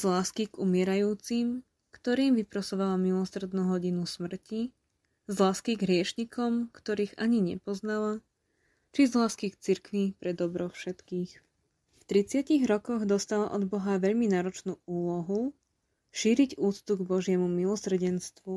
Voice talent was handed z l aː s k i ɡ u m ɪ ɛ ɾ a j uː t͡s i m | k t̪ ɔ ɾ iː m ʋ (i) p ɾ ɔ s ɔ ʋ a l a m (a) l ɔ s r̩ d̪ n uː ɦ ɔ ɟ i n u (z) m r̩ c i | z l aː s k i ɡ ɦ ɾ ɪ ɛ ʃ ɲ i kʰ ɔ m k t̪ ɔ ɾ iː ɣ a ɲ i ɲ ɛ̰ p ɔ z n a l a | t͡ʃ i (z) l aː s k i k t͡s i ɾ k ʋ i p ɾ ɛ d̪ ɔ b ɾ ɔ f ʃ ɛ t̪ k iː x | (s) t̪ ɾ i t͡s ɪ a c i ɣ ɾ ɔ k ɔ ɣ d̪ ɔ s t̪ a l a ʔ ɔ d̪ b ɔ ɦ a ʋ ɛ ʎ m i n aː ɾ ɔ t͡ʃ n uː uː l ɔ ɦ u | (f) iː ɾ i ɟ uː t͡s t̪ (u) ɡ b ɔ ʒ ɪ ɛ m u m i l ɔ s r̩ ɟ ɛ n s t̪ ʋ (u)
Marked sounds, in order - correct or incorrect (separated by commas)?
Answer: correct, incorrect, incorrect, correct, incorrect, incorrect, correct, correct